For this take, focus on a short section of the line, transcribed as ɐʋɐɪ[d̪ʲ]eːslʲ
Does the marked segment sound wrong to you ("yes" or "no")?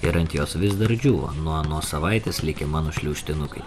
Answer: yes